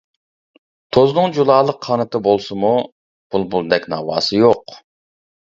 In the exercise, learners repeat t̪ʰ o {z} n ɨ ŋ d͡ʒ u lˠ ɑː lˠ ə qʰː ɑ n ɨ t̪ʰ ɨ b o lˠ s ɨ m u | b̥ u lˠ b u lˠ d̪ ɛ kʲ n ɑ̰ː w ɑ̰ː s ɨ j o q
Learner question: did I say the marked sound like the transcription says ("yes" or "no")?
yes